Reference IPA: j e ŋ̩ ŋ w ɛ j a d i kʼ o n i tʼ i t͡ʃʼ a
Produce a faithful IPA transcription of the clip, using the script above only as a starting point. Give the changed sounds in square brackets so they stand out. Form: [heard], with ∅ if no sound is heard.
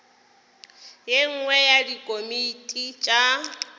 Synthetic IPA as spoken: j e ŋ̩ ŋ w ɛ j a d i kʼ o [m] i tʼ i t͡ʃʼ a